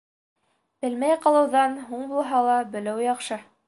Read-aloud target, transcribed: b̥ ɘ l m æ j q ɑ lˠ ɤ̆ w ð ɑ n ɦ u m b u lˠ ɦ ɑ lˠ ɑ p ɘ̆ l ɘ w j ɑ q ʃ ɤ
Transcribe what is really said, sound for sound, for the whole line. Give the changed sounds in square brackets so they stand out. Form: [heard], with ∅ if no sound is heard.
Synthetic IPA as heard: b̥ ɘ l m æ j q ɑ lˠ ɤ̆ w ð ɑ n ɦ u [ɴ] b u lˠ ɦ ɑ lˠ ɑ [b] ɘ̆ l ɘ w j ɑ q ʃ ɤ

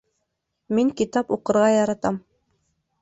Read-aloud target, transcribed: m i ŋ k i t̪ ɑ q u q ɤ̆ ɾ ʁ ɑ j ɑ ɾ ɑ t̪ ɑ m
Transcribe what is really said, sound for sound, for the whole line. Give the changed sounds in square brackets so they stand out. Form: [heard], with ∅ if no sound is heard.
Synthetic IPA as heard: m i ŋ k i t̪ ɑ [p] u q ɤ̆ ɾ ʁ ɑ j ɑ ɾ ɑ t̪ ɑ m

